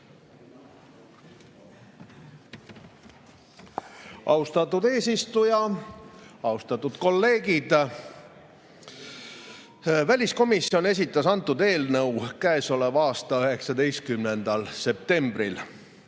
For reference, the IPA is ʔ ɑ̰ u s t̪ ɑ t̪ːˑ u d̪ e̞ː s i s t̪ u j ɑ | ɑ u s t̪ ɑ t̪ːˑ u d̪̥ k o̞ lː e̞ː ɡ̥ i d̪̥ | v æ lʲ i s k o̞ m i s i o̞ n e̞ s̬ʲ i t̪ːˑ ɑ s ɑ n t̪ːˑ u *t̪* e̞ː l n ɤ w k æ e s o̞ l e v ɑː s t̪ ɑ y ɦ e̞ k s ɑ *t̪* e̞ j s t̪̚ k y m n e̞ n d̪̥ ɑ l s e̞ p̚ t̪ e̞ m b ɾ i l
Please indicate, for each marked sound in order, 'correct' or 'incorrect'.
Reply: incorrect: d̪, incorrect: d̪

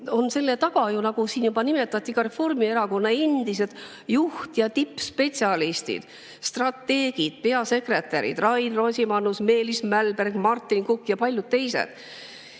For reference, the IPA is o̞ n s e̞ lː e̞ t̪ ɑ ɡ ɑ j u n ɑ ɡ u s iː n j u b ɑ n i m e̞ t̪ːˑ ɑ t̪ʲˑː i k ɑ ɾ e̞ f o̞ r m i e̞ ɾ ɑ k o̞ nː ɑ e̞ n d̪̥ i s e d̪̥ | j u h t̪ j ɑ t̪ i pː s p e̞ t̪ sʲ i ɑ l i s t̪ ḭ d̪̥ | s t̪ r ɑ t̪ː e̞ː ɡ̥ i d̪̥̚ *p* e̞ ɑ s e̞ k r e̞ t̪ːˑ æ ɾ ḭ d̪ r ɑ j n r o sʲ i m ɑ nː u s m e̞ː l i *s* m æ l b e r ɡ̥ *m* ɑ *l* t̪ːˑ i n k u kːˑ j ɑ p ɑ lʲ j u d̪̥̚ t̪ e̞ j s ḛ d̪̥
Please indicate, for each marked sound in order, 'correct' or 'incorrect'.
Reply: correct, correct, correct, incorrect: r

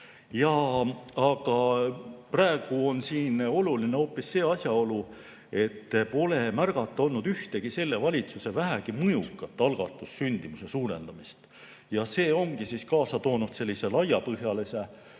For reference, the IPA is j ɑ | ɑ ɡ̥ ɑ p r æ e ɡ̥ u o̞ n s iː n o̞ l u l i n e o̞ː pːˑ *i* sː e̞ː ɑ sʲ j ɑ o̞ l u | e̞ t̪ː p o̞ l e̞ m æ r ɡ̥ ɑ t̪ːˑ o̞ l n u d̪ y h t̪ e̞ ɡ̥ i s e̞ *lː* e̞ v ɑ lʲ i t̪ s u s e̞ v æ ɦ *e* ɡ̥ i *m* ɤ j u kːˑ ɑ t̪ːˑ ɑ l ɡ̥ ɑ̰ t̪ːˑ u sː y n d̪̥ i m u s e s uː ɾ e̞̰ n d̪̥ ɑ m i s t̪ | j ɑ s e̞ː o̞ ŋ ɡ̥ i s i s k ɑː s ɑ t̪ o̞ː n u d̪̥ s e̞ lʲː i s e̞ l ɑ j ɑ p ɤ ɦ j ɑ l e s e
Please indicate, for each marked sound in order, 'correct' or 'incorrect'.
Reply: correct, correct, incorrect: æ, correct

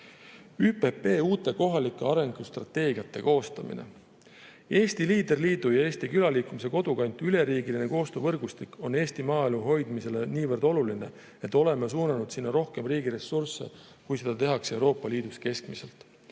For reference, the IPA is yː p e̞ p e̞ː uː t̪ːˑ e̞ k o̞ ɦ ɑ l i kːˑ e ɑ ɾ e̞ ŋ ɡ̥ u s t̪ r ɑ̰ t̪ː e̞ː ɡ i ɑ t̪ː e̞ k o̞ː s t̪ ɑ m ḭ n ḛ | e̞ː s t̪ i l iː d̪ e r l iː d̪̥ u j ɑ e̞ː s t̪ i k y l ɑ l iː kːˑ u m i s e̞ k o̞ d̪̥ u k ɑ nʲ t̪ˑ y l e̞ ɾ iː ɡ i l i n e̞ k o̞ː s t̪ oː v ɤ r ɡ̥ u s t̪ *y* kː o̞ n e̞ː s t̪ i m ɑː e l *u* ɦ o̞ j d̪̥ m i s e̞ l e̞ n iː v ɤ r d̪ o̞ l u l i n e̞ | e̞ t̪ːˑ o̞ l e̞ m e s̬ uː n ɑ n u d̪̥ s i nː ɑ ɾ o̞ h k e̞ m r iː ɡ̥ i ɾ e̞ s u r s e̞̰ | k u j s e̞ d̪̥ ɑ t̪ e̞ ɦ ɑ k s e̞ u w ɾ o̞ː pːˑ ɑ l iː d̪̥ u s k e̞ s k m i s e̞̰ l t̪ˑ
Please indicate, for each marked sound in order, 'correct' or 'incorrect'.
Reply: incorrect: i, correct

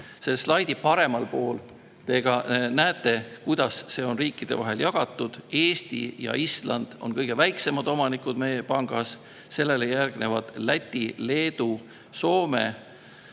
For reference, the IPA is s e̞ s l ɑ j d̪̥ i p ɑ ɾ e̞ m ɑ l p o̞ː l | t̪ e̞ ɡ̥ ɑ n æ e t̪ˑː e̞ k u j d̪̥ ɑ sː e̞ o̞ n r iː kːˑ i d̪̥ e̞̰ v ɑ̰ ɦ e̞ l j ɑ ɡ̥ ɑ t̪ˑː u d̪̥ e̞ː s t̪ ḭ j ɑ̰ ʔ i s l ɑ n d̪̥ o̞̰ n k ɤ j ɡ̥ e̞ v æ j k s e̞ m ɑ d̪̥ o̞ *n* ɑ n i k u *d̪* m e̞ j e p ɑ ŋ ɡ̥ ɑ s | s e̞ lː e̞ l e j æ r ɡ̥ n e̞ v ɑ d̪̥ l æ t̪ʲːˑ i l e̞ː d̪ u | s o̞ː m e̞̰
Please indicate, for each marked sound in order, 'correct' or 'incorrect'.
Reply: incorrect: m, correct

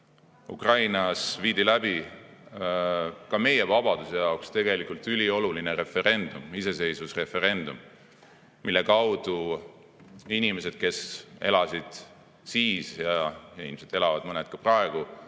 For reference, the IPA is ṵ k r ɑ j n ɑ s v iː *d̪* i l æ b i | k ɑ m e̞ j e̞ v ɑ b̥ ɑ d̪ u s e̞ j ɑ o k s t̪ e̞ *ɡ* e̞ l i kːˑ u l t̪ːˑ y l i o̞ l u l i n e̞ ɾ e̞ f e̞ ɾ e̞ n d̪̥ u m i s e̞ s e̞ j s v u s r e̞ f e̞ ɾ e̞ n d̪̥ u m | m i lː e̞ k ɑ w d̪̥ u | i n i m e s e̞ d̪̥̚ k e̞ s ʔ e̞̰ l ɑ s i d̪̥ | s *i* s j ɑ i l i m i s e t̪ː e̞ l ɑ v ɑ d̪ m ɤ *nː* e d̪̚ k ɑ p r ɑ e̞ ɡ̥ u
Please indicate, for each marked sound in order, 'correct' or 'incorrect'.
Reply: correct, correct, incorrect: iː, incorrect: n

